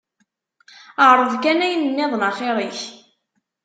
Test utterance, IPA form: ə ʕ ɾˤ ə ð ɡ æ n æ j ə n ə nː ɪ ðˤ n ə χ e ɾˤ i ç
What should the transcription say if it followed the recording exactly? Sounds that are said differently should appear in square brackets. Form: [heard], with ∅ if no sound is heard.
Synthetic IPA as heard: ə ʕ ɾˤ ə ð [k] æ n æ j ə n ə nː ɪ ðˤ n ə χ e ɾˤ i ç